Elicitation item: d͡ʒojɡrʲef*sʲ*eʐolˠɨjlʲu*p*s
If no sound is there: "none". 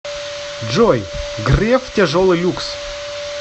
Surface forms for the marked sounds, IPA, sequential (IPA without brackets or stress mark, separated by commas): tʲ, k